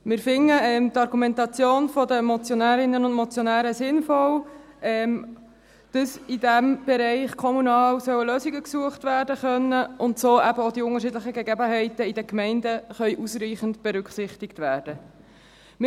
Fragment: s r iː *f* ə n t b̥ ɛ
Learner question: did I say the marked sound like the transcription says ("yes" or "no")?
no